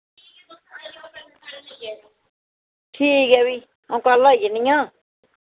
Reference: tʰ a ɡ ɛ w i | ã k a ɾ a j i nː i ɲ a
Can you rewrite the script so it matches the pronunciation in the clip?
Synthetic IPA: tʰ i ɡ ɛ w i | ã k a l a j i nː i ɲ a